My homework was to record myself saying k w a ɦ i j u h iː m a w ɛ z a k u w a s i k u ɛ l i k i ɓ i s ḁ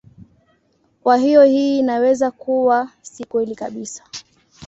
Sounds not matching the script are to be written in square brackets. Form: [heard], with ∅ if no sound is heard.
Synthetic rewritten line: k w a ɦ i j [ɔ] h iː [n] a w ɛ z a k u w a s i k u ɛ l i k [a] ɓ i s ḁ